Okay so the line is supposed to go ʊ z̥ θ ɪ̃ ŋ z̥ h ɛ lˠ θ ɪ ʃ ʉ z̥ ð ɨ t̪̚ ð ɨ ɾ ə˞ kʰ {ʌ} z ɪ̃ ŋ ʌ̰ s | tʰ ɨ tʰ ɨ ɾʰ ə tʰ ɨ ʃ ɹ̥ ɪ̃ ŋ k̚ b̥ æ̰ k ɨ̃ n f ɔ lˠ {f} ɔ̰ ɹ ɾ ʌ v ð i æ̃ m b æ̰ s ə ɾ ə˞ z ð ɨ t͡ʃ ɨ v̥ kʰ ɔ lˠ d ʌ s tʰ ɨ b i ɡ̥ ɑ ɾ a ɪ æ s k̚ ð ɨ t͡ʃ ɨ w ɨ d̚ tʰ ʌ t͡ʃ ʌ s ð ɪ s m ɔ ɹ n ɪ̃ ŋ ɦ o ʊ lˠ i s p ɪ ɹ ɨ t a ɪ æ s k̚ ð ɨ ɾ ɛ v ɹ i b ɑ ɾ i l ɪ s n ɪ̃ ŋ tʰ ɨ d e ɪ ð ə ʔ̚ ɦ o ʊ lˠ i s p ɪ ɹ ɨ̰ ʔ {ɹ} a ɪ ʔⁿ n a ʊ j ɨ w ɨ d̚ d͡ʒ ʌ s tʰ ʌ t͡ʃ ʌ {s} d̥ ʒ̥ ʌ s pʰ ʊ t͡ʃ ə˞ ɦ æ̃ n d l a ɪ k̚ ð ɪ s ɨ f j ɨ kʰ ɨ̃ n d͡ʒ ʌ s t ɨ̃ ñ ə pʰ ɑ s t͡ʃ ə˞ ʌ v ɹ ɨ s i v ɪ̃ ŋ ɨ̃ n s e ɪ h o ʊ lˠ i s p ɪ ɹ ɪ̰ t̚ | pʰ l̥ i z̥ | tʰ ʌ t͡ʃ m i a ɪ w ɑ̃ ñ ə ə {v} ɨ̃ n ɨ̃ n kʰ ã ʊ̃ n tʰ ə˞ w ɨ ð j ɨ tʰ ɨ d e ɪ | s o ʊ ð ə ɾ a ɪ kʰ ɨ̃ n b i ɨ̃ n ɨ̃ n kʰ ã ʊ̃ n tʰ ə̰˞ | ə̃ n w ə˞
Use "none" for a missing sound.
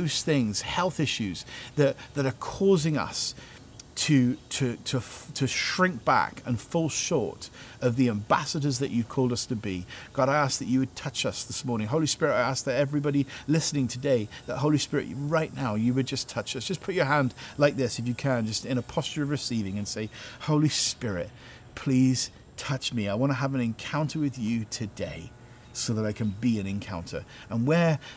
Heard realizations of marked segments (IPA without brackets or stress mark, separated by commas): ɔ, ʃ, ɹ, s, v